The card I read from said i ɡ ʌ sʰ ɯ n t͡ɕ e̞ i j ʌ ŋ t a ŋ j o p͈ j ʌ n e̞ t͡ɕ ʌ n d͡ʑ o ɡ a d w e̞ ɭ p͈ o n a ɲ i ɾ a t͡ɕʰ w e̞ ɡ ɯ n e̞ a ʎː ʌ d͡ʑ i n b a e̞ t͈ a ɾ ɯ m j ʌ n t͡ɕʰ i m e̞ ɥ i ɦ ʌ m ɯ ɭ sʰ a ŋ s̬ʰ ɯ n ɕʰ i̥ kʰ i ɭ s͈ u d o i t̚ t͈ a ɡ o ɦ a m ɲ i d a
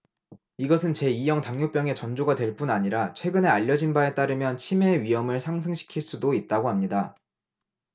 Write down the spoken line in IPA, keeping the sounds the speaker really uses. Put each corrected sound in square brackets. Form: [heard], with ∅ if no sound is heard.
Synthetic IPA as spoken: i ɡ ʌ sʰ ɯ n t͡ɕ e̞ i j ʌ ŋ t a ŋ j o p͈ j ʌ [ŋ] e̞ t͡ɕ ʌ n d͡ʑ o ɡ a d w e̞ ɭ p͈ [u] n a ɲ i ɾ a t͡ɕʰ w e̞ ɡ ɯ n e̞ a ʎː ʌ d͡ʑ i n b a e̞ t͈ a ɾ ɯ m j ʌ n t͡ɕʰ i m e̞ ɥ i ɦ ʌ m ɯ ɭ sʰ a ŋ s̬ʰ ɯ [ŋ] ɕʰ i̥ kʰ i ɭ s͈ u d o i t̚ t͈ a ɡ o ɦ a m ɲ i d a